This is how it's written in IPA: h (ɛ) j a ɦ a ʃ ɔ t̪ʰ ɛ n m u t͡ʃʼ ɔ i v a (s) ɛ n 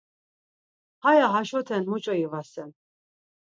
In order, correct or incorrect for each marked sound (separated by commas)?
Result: incorrect, correct